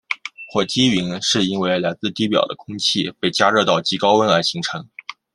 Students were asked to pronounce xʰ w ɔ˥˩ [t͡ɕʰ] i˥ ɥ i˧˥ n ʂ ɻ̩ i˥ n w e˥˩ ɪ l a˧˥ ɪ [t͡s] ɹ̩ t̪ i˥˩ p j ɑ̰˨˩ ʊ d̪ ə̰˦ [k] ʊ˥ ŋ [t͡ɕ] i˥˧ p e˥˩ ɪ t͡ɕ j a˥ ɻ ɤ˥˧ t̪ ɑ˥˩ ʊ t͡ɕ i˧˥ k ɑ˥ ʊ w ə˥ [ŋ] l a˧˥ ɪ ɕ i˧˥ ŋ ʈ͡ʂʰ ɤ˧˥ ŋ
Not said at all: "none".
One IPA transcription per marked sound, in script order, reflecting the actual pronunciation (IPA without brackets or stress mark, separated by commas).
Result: t͡ɕ, t͡s, kʰ, t͡ɕʰ, n